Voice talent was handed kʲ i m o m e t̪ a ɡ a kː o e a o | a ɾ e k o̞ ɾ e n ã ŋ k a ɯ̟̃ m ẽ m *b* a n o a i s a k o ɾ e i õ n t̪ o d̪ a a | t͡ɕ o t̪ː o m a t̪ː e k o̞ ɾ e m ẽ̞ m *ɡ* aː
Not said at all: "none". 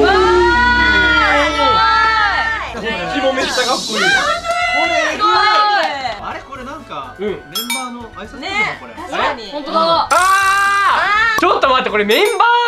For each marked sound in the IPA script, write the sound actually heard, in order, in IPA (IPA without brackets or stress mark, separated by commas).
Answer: b, b